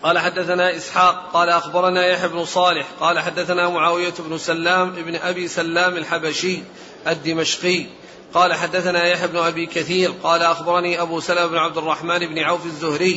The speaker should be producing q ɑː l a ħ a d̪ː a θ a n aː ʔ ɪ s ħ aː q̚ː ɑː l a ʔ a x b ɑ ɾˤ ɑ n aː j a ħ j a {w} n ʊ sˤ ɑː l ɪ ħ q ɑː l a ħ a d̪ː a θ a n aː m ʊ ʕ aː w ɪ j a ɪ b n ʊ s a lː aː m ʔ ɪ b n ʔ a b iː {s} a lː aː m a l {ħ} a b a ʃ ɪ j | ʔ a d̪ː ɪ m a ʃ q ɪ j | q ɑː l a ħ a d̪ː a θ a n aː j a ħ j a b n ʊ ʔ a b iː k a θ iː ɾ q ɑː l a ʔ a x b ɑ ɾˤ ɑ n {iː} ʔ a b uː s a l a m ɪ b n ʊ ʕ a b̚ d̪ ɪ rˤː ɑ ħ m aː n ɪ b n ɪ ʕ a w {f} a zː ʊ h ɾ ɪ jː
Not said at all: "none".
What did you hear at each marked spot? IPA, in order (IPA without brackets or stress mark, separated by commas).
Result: b, s, ħ, iː, f